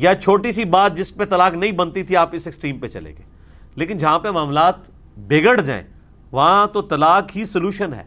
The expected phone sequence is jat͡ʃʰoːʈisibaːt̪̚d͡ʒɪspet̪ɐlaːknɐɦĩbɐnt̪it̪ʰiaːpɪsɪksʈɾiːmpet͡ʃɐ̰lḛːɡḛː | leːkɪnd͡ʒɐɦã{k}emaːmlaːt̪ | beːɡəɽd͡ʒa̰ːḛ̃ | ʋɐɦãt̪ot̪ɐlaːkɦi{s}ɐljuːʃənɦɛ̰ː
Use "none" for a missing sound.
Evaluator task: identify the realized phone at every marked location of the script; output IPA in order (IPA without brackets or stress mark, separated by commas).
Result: p, s